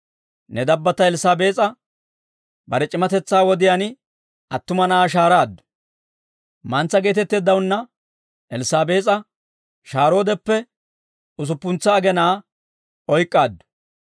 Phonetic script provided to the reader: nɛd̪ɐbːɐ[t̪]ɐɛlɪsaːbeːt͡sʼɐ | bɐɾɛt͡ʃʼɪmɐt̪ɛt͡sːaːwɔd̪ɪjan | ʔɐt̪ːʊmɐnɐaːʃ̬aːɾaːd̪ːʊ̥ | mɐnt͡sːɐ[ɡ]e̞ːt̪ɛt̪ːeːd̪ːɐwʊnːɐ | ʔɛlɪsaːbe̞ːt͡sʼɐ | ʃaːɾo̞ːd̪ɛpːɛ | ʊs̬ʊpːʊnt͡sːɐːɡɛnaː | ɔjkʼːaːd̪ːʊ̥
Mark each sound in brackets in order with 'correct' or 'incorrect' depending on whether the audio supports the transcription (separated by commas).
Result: correct, correct